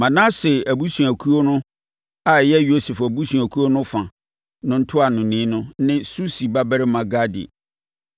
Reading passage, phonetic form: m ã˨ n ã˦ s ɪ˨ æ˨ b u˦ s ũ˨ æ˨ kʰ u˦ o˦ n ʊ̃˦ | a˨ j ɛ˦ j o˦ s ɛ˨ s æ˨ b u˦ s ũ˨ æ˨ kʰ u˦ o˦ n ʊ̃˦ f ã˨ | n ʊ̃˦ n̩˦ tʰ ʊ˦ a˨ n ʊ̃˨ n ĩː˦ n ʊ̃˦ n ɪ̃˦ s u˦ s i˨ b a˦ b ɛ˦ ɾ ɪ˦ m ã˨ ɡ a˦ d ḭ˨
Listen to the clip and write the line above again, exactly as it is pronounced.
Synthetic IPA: m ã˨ n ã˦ s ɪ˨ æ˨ b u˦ s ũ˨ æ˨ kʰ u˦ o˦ n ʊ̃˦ | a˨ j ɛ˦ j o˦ s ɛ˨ f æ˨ b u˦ s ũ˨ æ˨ kʰ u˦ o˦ n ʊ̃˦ f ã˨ | n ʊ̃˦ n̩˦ tʰ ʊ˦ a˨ n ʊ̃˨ n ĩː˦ n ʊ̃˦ n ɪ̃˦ s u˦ s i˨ b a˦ b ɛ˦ ɾ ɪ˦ m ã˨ ɡ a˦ d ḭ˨